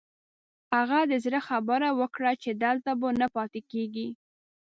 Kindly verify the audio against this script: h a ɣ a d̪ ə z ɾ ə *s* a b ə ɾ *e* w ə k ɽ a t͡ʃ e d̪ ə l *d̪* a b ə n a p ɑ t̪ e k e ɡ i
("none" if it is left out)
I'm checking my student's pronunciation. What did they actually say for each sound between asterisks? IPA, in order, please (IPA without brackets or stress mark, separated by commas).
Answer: x, a, t̪